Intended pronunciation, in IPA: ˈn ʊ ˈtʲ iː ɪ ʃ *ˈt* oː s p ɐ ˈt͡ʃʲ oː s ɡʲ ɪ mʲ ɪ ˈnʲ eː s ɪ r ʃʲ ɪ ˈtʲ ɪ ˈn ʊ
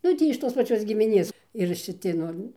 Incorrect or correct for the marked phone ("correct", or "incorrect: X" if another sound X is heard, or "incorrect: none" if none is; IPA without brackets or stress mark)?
correct